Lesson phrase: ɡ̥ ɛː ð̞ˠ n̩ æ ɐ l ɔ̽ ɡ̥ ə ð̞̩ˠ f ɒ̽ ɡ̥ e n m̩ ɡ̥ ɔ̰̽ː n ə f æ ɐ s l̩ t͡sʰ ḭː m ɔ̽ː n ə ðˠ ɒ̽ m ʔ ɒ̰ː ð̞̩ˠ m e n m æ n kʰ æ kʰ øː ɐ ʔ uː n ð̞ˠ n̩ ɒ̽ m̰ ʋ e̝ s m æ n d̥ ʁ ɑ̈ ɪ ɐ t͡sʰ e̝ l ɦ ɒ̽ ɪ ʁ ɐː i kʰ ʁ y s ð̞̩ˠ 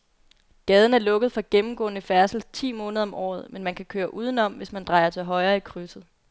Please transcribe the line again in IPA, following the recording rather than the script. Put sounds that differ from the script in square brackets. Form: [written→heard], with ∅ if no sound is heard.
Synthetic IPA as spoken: ɡ̥ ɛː ð̞ˠ n̩ æ ɐ l ɔ̽ ɡ̥ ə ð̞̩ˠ f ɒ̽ ɡ̥ e [n→m] m̩ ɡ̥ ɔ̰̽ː n ə f æ ɐ s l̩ t͡sʰ ḭː m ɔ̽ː n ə ðˠ ɒ̽ m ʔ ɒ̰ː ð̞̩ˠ m e n m æ n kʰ æ kʰ øː ɐ ʔ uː [n→∅] ð̞ˠ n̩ ɒ̽ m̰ ʋ e̝ s m æ n d̥ ʁ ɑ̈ ɪ ɐ t͡sʰ e̝ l ɦ ɒ̽ ɪ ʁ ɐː i kʰ ʁ y s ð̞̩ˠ